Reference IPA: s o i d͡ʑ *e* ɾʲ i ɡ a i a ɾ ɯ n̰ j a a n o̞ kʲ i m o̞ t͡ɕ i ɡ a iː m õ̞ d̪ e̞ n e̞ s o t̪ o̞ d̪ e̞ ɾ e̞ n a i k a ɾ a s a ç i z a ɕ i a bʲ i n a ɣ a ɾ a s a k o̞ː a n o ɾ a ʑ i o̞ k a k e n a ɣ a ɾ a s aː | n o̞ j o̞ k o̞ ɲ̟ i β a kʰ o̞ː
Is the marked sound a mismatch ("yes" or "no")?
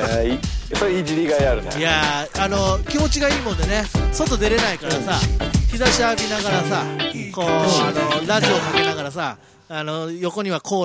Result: yes